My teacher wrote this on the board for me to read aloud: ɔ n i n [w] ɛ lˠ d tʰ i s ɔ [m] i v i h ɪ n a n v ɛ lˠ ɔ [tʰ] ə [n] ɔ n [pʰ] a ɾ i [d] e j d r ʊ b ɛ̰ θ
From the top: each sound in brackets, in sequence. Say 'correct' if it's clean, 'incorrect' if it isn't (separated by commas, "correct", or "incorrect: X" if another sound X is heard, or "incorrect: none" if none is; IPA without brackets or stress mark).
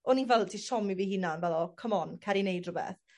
incorrect: v, correct, incorrect: kʰ, incorrect: m, incorrect: kʰ, incorrect: n